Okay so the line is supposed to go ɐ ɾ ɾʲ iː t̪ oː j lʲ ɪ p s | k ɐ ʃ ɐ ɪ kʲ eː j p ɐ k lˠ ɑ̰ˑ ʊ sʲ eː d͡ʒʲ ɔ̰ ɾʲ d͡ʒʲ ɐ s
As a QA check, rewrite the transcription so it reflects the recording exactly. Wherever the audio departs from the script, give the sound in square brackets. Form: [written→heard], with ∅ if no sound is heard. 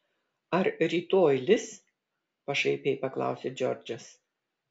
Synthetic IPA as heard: ɐ ɾ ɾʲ iː t̪ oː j lʲ ɪ [p→∅] s | [k→p] ɐ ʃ ɐ ɪ [kʲ→pʲ] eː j p ɐ k lˠ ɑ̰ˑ ʊ sʲ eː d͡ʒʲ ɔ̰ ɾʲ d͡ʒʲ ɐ s

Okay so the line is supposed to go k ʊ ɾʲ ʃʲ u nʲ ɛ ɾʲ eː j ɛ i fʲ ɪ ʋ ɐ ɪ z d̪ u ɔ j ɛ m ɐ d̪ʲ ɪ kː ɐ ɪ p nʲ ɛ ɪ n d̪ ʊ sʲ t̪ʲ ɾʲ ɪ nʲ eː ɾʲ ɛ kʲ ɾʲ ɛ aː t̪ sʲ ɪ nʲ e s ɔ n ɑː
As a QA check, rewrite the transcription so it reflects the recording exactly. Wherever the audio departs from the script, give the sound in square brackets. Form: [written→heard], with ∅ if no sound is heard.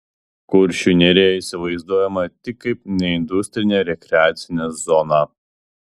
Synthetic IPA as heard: k ʊ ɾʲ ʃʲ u nʲ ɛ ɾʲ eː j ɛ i [fʲ→sʲ] ɪ ʋ ɐ ɪ z d̪ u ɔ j ɛ m ɐ [d̪ʲ→t̪ʲ] ɪ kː ɐ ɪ p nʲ ɛ ɪ n d̪ ʊ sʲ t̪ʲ ɾʲ ɪ nʲ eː ɾʲ ɛ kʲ ɾʲ ɛ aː t̪ sʲ ɪ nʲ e [s→z] ɔ n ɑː

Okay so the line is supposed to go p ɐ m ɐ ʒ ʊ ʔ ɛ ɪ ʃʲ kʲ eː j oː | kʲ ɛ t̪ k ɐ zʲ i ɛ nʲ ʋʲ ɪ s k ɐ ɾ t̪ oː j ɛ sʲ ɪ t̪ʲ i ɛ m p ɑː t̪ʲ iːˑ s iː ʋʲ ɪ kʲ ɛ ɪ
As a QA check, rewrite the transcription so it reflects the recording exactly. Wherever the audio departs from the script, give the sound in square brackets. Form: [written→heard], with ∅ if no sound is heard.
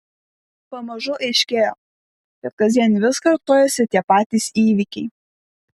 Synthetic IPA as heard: p ɐ m ɐ ʒ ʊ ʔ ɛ ɪ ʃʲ kʲ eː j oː | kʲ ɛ t̪ k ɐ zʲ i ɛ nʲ ʋʲ ɪ s k ɐ ɾ t̪ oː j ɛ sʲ ɪ t̪ʲ i ɛ [m→∅] p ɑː t̪ʲ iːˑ s iː ʋʲ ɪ kʲ ɛ ɪ

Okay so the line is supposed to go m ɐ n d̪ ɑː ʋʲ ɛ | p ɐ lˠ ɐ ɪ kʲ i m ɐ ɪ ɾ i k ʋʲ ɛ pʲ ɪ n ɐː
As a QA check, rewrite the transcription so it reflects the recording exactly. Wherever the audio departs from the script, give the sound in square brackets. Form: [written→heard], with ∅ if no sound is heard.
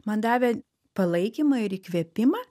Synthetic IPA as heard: m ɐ n d̪ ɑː ʋʲ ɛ | p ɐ lˠ ɐ ɪ kʲ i m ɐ ɪ ɾ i k ʋʲ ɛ pʲ ɪ [n→m] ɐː

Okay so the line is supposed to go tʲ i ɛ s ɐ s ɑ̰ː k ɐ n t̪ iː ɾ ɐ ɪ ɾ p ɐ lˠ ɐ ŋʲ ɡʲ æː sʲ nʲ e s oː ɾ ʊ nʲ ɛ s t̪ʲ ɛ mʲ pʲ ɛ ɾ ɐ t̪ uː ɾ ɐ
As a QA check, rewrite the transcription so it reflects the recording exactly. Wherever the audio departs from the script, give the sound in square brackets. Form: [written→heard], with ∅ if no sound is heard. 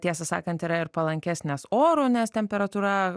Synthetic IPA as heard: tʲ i ɛ s ɐ s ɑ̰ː k ɐ n t̪ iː ɾ ɐ ɪ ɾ p ɐ lˠ ɐ ŋʲ [ɡʲ→kʲ] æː sʲ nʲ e s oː ɾ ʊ nʲ ɛ s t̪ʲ ɛ mʲ pʲ ɛ ɾ ɐ t̪ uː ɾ ɐ

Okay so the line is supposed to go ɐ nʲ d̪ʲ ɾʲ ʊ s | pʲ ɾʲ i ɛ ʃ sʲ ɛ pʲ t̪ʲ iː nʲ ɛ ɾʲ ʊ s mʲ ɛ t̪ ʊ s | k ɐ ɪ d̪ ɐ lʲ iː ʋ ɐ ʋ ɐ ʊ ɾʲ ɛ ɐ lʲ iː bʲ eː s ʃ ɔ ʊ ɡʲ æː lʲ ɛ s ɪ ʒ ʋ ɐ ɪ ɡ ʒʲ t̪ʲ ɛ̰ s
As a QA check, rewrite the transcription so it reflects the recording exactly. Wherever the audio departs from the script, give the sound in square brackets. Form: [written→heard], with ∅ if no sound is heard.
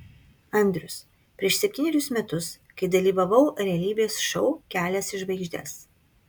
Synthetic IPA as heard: ɐ nʲ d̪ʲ ɾʲ ʊ s | pʲ ɾʲ i ɛ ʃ sʲ ɛ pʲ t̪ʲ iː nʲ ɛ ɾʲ ʊ s mʲ ɛ t̪ ʊ s | k ɐ ɪ d̪ ɐ lʲ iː ʋ ɐ ʋ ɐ ʊ ɾʲ ɛ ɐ lʲ iː bʲ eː s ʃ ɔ ʊ [ɡʲ→kʲ] æː lʲ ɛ s ɪ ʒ ʋ ɐ ɪ ɡ ʒʲ [t̪ʲ→d̪ʲ] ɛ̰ s

